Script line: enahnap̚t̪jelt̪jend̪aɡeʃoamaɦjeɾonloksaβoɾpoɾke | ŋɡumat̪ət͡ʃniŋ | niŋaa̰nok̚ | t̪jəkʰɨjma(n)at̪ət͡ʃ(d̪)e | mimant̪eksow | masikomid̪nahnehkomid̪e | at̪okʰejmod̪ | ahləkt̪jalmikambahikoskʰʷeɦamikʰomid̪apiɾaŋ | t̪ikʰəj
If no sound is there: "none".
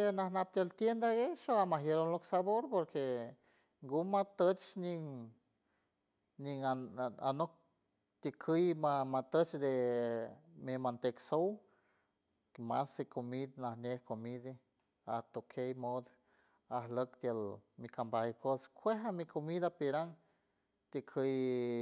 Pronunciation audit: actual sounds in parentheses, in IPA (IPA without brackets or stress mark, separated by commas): m, d̪